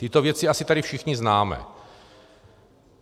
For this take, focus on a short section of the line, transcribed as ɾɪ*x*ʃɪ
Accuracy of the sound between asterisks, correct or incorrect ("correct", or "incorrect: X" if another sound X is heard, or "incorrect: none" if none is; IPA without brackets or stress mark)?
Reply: incorrect: f